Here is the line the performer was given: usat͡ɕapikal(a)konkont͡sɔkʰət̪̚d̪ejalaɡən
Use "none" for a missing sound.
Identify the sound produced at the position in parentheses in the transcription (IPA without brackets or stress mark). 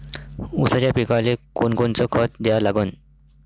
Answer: e